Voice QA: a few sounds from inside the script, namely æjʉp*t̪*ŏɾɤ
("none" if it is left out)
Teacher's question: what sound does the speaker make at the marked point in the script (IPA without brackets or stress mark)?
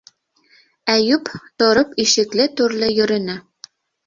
t̪